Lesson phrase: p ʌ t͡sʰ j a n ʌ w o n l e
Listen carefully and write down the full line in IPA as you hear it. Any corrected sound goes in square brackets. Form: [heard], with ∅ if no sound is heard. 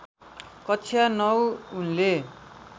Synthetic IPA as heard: [k] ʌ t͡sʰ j a n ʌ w [u] n l e